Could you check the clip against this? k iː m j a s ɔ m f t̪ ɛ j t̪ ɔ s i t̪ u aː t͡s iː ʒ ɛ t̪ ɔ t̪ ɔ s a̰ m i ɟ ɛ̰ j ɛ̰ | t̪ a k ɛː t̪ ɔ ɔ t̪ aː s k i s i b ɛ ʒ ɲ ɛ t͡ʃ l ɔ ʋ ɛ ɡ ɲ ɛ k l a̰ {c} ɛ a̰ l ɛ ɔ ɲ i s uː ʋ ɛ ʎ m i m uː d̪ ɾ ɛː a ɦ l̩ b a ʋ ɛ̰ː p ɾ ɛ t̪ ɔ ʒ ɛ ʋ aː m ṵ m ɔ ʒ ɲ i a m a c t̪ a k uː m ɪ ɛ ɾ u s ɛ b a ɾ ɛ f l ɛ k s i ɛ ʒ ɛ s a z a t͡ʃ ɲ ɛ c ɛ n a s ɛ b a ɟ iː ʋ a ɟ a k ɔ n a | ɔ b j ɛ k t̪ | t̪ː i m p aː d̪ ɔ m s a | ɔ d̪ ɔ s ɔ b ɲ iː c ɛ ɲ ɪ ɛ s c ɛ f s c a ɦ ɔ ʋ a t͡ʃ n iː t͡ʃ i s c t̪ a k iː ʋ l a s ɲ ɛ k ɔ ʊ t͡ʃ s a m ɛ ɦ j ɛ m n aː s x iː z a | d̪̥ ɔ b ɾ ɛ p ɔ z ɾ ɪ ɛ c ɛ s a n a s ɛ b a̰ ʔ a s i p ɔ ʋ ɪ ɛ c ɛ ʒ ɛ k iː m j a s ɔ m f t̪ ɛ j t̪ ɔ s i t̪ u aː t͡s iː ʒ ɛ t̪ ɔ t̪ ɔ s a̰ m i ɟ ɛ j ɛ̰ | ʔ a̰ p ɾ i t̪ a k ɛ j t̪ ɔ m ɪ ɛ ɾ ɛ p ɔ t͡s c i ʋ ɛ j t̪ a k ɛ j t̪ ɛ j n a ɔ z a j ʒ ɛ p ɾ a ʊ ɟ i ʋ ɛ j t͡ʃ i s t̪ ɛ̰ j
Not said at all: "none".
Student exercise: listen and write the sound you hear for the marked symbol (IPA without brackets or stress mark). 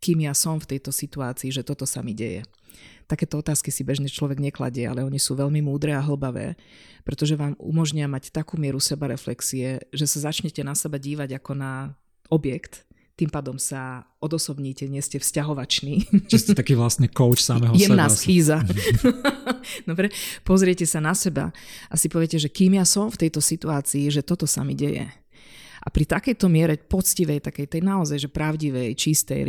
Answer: ɟ